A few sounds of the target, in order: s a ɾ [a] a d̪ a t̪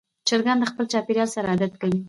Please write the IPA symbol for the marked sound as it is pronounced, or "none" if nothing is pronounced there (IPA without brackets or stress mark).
a